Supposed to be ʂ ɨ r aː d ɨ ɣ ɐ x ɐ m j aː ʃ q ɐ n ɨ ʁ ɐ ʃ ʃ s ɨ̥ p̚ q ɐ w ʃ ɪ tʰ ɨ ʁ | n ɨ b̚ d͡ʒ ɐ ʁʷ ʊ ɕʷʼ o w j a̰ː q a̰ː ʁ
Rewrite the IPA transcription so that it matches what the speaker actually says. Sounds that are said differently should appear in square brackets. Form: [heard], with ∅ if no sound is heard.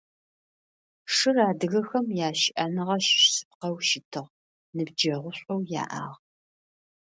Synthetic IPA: ʂ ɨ r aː d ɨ ɣ ɐ x ɐ m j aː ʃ [ʔ] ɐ n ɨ ʁ ɐ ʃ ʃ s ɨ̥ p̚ q ɐ w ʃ ɪ tʰ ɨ ʁ | n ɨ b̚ d͡ʒ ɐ ʁʷ ʊ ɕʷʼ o w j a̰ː [ʔ] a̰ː ʁ